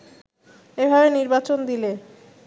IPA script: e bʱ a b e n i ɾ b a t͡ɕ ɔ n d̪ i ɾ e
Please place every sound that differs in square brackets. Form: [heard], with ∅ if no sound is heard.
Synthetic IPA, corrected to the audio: e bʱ a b e n i ɾ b a t͡ɕ [o] n d̪ i [l] e